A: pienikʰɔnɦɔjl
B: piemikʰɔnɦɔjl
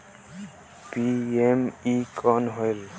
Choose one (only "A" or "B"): B